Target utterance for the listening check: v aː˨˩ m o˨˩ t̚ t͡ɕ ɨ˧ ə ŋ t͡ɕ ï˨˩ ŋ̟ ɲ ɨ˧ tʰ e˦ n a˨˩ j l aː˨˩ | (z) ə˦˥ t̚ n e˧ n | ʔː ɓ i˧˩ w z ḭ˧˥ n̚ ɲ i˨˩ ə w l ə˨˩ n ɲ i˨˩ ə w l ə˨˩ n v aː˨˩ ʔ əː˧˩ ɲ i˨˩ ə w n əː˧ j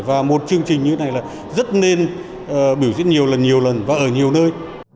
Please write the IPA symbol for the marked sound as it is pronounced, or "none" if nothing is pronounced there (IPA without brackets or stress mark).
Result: z